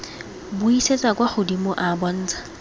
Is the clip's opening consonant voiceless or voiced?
voiced